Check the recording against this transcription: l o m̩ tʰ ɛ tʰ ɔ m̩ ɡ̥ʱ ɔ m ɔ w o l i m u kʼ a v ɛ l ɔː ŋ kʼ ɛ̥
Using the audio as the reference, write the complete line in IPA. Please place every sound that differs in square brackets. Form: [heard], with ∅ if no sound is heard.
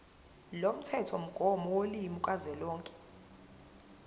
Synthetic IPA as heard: l o m̩ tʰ ɛ tʰ ɔ m̩ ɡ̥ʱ ɔ m ɔ w o l i m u kʼ a [z] ɛ l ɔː ŋ kʼ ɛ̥